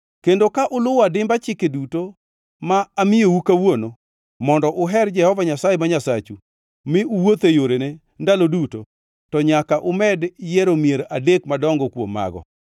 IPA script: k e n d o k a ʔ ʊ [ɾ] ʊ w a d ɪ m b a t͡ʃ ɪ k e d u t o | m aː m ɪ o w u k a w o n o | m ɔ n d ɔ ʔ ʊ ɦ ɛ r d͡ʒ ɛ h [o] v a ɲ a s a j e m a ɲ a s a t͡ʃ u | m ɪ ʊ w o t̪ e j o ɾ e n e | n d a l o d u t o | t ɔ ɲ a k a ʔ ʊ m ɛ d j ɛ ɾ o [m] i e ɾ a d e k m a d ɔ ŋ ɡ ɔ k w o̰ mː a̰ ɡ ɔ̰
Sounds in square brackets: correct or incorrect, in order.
incorrect: l, incorrect: ɔ, correct

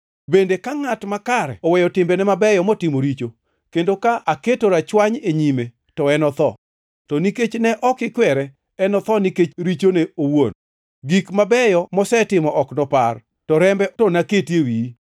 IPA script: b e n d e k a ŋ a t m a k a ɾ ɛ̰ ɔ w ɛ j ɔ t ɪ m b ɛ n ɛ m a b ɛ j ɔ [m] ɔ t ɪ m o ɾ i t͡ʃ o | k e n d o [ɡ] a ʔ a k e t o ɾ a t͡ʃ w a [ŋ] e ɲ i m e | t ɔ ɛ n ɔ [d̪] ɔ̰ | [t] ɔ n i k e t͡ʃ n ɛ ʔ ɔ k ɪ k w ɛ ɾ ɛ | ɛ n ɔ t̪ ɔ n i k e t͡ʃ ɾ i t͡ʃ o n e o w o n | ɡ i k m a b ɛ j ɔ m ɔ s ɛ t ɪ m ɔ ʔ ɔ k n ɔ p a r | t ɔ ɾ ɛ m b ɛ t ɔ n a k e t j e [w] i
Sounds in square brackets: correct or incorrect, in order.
correct, incorrect: k, incorrect: ɲ, incorrect: t̪, correct, correct

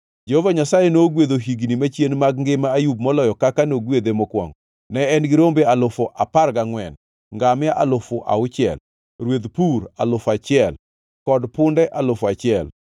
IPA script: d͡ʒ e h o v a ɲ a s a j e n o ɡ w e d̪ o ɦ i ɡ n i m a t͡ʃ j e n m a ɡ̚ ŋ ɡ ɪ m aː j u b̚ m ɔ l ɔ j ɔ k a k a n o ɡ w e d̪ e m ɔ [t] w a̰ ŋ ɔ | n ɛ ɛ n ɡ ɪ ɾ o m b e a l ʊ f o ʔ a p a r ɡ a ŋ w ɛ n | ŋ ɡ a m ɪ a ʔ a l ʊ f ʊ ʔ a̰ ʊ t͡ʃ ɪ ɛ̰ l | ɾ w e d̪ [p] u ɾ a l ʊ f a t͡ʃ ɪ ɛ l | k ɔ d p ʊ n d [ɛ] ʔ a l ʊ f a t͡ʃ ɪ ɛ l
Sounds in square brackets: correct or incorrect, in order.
incorrect: k, correct, correct

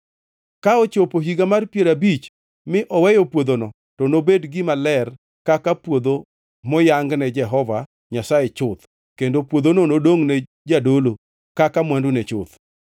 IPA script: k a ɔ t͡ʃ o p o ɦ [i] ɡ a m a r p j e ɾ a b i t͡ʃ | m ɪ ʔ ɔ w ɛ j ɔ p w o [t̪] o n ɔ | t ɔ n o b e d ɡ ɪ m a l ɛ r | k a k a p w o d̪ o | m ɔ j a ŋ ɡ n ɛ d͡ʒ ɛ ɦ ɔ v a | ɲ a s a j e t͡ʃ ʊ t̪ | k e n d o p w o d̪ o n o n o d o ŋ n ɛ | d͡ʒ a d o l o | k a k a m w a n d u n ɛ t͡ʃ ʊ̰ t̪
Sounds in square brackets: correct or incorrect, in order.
correct, incorrect: d̪

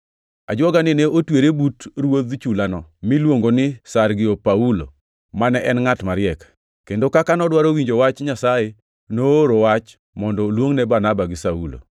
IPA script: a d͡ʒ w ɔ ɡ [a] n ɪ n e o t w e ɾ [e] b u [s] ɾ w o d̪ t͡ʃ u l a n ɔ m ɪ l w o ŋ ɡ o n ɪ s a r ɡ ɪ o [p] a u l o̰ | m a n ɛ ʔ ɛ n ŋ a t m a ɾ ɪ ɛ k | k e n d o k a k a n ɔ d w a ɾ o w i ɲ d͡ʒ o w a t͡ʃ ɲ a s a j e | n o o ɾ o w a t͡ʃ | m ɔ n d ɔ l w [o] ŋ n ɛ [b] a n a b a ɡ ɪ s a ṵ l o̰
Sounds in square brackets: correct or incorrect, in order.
correct, correct, incorrect: t, correct, correct, correct

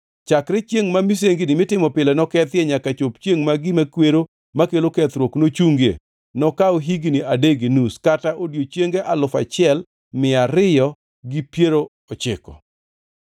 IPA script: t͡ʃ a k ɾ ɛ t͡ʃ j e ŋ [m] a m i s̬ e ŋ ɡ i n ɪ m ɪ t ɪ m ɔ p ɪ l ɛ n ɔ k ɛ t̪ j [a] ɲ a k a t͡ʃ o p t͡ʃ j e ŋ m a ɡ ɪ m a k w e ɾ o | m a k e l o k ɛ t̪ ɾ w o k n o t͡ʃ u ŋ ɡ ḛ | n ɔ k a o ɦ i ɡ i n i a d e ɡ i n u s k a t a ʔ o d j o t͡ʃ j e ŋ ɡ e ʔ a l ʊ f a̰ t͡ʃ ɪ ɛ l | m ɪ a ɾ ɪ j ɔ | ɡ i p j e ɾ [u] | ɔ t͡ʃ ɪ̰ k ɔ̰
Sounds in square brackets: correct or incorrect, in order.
correct, incorrect: ɛ, incorrect: o

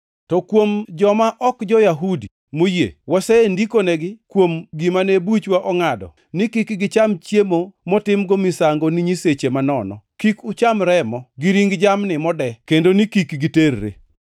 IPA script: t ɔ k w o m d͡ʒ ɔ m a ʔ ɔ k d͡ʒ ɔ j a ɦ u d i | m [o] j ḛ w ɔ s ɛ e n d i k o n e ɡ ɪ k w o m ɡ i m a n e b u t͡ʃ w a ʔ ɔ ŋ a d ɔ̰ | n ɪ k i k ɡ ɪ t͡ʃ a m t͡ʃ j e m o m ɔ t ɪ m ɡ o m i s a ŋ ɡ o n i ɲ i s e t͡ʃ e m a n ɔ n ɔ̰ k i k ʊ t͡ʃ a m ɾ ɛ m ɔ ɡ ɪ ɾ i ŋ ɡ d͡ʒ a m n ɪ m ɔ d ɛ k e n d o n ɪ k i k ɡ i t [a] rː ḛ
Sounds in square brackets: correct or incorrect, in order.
correct, incorrect: e

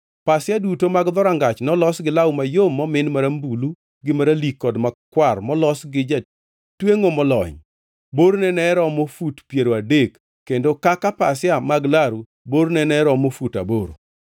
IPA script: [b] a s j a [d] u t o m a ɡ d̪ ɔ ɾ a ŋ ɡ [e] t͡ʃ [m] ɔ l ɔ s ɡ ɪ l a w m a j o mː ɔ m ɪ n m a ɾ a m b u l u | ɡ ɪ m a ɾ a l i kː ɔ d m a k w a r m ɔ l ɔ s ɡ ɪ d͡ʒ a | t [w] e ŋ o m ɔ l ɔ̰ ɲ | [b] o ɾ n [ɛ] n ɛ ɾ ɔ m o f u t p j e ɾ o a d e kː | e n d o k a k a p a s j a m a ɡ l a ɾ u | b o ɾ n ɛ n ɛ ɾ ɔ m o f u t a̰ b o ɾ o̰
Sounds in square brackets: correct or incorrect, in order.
incorrect: p, correct, incorrect: a, incorrect: n, correct, correct, correct

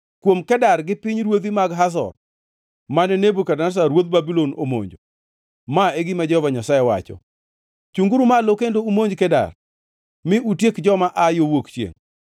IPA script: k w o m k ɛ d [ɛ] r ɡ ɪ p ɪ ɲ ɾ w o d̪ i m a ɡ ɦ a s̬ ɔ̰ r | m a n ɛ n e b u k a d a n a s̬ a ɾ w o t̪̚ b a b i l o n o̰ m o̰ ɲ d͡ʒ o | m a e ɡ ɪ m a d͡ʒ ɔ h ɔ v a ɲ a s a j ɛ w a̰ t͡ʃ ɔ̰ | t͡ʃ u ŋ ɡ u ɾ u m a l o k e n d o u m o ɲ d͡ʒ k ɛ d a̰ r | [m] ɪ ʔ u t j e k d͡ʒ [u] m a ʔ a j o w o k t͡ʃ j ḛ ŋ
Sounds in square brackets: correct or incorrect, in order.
incorrect: a, correct, incorrect: ɔ

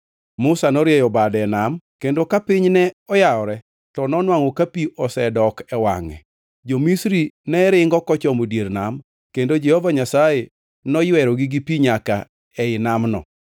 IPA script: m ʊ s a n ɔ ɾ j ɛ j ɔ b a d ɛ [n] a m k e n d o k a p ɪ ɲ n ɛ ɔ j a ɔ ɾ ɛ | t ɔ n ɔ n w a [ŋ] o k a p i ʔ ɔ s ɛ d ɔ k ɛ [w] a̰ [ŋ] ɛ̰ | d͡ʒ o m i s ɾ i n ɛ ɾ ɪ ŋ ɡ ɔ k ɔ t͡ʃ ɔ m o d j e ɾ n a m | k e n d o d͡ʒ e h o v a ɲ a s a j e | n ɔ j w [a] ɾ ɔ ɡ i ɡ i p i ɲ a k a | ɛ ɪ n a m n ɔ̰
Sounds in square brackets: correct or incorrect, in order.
correct, correct, correct, correct, incorrect: ɛ

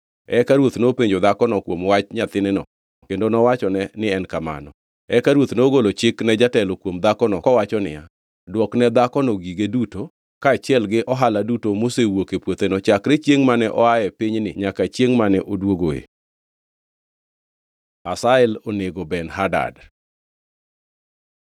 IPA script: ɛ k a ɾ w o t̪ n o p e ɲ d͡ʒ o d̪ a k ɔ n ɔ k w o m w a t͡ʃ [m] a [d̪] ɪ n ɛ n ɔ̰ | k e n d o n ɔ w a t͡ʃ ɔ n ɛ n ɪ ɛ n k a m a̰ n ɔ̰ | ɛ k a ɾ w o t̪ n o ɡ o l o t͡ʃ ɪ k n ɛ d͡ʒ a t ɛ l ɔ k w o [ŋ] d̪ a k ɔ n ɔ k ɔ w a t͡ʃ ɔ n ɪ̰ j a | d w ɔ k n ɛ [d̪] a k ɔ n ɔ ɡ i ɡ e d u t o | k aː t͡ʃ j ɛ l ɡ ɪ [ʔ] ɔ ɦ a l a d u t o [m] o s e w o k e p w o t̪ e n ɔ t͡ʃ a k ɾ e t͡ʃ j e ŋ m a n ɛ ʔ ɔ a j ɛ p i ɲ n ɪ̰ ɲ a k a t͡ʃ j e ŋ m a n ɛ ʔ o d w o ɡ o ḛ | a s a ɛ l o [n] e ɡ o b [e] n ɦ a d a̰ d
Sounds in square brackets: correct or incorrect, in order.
incorrect: ɲ, incorrect: t̪, incorrect: m, correct, correct, correct, correct, incorrect: ɛ

